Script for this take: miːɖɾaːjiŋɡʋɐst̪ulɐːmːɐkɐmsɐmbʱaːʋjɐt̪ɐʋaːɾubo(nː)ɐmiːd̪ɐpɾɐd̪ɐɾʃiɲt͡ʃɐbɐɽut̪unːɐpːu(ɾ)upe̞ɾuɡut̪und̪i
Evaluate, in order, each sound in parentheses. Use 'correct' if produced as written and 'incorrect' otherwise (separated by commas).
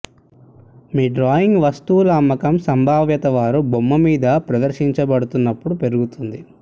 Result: incorrect, incorrect